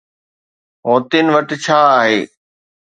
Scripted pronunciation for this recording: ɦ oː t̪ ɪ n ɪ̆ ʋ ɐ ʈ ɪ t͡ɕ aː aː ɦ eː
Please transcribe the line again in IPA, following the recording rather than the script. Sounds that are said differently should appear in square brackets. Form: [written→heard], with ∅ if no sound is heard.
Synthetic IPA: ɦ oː t̪ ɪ n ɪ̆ ʋ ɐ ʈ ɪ [t͡ɕ→t͡ɕʰ] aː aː ɦ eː